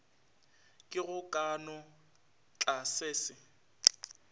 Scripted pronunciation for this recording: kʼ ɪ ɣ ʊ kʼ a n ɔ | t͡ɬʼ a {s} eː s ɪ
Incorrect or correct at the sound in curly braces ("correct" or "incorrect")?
correct